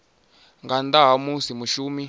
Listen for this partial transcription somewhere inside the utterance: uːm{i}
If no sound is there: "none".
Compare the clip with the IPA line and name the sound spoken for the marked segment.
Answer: i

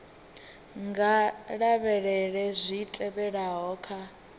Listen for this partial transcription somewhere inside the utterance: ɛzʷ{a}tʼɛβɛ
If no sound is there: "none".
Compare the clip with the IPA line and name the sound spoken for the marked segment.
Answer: i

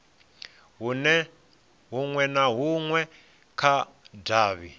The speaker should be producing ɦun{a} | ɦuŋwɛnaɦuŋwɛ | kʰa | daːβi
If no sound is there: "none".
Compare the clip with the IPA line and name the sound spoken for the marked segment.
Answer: ɛ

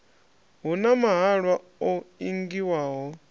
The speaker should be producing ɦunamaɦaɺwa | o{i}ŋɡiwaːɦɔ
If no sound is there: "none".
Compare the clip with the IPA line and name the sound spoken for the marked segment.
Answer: i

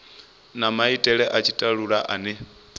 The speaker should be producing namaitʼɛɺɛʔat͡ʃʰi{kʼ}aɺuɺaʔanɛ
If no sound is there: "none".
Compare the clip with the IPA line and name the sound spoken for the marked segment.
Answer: tʼ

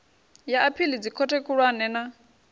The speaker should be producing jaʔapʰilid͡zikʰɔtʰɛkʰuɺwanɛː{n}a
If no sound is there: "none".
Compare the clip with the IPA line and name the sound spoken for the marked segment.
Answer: n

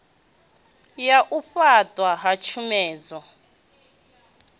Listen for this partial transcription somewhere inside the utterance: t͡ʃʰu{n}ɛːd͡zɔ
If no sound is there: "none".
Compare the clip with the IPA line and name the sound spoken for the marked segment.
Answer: m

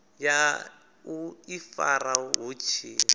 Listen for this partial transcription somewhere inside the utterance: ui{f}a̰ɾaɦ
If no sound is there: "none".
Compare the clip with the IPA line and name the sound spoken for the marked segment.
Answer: f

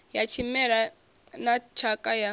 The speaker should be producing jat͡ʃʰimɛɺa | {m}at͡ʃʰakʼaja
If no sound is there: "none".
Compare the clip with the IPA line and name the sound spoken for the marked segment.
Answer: n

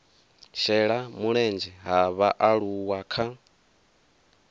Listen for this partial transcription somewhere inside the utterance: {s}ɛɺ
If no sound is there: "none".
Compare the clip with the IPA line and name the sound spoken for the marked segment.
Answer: ʃ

